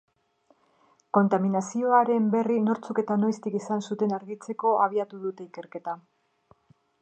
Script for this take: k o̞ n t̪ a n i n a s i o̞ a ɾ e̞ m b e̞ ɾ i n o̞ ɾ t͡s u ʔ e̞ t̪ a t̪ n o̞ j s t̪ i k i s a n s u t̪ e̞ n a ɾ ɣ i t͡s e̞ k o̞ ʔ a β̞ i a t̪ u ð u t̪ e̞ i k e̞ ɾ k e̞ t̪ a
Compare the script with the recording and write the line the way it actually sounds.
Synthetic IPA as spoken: k o̞ n t̪ a m i n a s i o̞ a ɾ e̞ m b e̞ r i n o̞ ɾ t͡s u k e̞ t̪ a n o̞ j s t̪ i k i s a n s u t̪ e̞ n a ɾ ɣ i t͡s e̞ k o̞ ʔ a β̞ i a t̪ u ð u t̪ e̞ i k e̞ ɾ k e̞ t̪ a

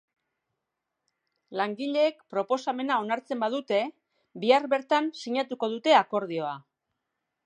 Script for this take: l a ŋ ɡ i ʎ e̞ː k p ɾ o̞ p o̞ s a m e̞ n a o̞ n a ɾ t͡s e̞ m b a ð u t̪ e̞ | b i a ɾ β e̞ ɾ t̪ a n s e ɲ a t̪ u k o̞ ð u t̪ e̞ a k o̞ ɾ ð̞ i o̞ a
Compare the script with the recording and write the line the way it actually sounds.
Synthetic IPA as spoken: l a ŋ ɡ i ʎ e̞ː k p ɾ o̞ p o̞ s a m e̞ n a o̞ n a ɾ t͡s e̞ m b a ð u t̪ e̞ | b i a ɾ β e̞ ɾ t̪ a n s i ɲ a t̪ u k o̞ ð u t̪ e̞ a k o̞ ɾ ð̞ i o̞ a

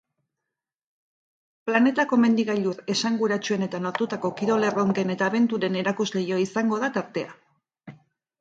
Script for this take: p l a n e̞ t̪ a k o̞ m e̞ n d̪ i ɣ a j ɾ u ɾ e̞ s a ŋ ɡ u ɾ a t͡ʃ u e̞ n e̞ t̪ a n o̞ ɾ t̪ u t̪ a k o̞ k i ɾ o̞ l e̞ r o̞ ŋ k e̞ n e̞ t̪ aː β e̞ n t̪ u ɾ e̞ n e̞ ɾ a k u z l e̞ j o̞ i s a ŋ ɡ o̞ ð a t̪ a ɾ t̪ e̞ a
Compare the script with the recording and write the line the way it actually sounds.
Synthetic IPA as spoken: p l a n e̞ t̪ a k o̞ m e̞ n d̪ i ɣ a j ʎ u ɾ e̞ s a ŋ ɡ u ɾ a t͡ʃ u e̞ n e̞ t̪ a n o̞ ɾ t̪ u t̪ a k o̞ k i ɾ o̞ l e̞ r o̞ ŋ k e̞ n e̞ t̪ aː β e̞ n t̪ u ɾ e̞ n e̞ ɾ a k u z l e̞ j o̞ i s a ŋ ɡ o̞ ð a t̪ a ɾ t̪ e̞ a

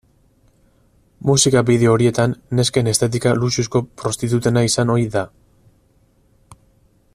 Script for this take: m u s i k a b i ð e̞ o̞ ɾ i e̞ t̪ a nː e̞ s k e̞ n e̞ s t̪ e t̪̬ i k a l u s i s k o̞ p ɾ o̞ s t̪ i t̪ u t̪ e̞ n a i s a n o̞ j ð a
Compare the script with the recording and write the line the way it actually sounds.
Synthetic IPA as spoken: m u s i k a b i ð e̞ o̞ ɾ i e̞ t̪ a nː e̞ s k e̞ n e̞ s t̪ e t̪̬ i k a l u s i s k o̞ p ɾ o̞ s t̪ i t̪ u t̪ e̞ n a i s a n o̞ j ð a

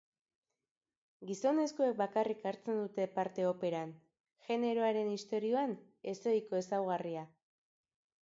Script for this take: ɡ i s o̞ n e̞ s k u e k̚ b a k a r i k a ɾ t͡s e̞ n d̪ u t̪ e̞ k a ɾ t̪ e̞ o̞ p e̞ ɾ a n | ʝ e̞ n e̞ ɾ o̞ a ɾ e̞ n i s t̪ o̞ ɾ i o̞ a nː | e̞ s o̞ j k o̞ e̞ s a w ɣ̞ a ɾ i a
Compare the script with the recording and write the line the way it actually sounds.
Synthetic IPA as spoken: ɡ i s o̞ n e̞ s k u e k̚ b a k a r i k a ɾ t͡s e̞ n d̪ u t̪ e̞ p a ɾ t̪ e̞ o̞ p e̞ ɾ a n | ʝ e̞ n e̞ ɾ o̞ a ɾ e̞ n i s t̪ o̞ ɾ i o̞ a n | e̞ s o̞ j k o̞ e̞ s a w ɣ̞ a r i a

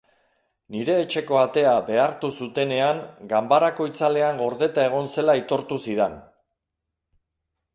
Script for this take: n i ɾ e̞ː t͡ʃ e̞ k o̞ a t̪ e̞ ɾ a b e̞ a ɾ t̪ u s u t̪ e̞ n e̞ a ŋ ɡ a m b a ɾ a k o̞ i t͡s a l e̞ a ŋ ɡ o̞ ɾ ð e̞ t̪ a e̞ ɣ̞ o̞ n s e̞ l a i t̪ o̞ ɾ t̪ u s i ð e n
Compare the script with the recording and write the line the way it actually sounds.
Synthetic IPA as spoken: n i ɾ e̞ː t͡ʃ e̞ k o̞ a t̪ e̞ a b e̞ a ɾ t̪ u s u t̪ e̞ n e̞ a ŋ ɡ a m b a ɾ a k o̞ i t͡s a l e̞ a ŋ ɡ o̞ ɾ ð e̞ t̪ a e̞ ɣ̞ o̞ n s e̞ l a i t̪ o̞ ɾ t̪ u s i ð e n

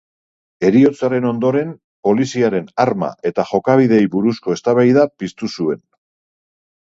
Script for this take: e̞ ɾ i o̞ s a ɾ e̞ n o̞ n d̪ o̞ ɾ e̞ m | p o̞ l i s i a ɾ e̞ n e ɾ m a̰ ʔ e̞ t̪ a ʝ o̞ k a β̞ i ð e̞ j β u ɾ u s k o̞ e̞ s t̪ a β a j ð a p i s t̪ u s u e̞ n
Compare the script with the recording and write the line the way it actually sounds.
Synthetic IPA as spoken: e̞ ɾ i o̞ t͡s a ɾ e̞ n o̞ n d̪ o̞ ɾ e̞ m | p o̞ l i s i a ɾ e̞ n a ɾ m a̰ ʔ e̞ t̪ a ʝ o̞ k a β̞ i ð e̞ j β u ɾ u s k o̞ e̞ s t̪ a β a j ð a p i s t̪ u s u e̞ n

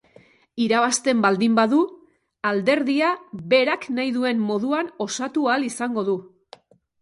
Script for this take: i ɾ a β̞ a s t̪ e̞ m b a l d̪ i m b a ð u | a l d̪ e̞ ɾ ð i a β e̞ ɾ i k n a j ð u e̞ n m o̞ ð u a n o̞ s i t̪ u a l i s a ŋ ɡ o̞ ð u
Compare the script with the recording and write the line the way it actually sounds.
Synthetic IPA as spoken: i ɾ a β̞ a s t̪ e̞ m b a l d̪ i m b a ð u | a l d̪ e̞ ɾ ð i a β e̞ ɾ a k n a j ð u e̞ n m o̞ ð u a n o̞ s a t̪ u a l i s a ŋ ɡ o̞ ð u

